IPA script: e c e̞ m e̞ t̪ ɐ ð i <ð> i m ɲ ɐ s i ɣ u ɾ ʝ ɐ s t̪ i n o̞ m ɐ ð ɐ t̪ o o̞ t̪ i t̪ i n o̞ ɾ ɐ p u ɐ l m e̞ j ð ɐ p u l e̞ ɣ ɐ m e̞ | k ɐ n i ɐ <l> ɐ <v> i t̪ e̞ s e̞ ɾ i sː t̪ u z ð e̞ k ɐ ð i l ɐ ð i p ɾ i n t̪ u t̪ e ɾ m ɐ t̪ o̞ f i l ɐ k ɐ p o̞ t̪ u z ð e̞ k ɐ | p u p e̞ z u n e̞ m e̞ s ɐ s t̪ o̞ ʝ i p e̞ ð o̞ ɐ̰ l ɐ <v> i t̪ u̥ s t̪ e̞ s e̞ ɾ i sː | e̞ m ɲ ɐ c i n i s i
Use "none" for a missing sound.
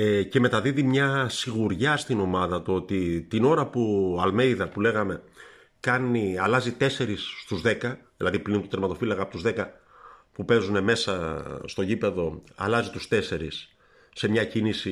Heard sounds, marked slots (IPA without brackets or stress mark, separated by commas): ð, l, z, z